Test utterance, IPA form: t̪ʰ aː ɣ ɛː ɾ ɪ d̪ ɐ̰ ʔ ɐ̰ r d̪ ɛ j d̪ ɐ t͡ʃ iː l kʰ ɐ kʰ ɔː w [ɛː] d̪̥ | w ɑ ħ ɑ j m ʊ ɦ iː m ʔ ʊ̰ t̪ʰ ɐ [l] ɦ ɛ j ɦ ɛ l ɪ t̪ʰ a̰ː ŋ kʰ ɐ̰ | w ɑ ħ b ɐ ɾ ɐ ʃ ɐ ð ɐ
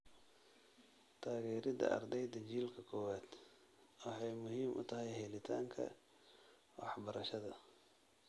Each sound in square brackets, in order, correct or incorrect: incorrect, incorrect

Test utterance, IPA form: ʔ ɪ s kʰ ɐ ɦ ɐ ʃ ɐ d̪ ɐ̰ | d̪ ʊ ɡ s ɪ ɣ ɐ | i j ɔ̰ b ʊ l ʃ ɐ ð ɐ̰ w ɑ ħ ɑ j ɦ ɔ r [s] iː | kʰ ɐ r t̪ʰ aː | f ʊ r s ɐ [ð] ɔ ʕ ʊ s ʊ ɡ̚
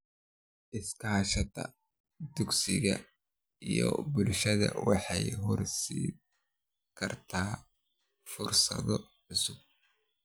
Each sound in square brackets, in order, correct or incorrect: correct, correct

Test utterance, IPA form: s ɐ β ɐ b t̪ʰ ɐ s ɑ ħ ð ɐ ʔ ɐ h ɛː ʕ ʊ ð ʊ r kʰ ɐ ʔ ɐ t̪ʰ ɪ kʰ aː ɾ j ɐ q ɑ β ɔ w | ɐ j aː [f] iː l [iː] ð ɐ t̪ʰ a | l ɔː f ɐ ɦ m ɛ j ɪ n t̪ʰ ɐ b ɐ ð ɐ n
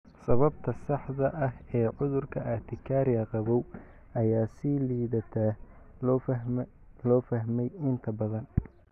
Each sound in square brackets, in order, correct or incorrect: incorrect, correct

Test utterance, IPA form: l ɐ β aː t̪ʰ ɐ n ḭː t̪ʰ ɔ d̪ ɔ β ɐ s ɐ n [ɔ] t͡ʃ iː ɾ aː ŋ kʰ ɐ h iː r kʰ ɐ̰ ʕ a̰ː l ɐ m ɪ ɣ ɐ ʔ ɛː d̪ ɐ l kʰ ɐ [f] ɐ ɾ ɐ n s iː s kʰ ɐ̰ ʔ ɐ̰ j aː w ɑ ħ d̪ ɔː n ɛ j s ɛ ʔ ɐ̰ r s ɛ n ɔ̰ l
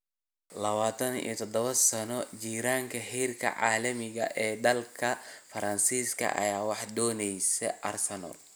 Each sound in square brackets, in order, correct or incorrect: correct, correct

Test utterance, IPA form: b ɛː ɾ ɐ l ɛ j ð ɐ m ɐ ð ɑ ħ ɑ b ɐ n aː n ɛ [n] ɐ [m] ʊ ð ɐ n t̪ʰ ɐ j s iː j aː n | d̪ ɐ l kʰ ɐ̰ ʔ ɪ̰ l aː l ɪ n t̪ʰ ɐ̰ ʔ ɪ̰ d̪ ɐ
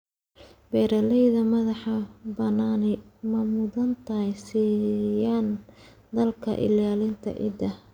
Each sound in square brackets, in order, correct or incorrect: incorrect, correct

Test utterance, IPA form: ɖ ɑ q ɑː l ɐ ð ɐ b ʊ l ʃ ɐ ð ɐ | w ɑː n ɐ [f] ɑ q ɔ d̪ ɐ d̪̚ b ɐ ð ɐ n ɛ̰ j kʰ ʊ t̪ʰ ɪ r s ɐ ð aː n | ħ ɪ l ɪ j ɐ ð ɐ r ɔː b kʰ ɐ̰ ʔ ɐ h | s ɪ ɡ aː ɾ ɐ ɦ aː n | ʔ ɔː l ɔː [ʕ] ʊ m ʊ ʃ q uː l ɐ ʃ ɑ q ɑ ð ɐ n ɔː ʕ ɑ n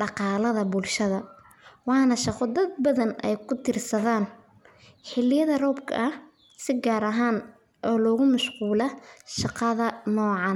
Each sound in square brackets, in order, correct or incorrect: incorrect, incorrect

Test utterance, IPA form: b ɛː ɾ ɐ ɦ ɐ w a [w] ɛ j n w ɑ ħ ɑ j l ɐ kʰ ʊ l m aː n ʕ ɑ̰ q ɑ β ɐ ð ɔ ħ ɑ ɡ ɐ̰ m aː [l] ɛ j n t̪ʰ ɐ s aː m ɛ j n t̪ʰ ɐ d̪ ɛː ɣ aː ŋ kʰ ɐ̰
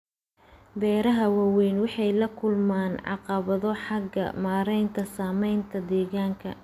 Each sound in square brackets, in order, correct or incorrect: correct, incorrect

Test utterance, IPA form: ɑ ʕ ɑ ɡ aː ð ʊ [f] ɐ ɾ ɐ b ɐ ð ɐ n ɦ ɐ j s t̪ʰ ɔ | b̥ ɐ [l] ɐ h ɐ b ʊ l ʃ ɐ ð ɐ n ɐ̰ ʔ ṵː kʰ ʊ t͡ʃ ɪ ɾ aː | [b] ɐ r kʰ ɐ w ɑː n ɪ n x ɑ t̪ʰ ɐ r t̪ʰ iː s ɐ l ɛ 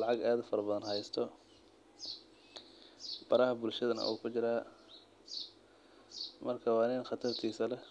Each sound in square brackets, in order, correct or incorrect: correct, incorrect, incorrect

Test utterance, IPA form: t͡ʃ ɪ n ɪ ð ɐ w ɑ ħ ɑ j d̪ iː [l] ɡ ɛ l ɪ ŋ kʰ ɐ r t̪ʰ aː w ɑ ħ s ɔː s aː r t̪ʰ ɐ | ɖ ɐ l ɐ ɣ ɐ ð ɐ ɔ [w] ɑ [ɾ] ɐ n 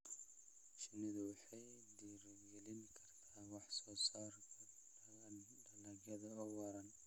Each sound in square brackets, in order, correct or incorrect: incorrect, correct, correct

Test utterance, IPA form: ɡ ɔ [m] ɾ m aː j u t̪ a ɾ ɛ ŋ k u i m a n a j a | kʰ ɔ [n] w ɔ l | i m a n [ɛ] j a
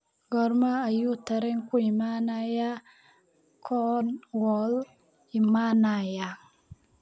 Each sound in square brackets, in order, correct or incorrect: incorrect, correct, incorrect

